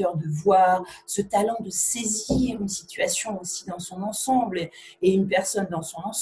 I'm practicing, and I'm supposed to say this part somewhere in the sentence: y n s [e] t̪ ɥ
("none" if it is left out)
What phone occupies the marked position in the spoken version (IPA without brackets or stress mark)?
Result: i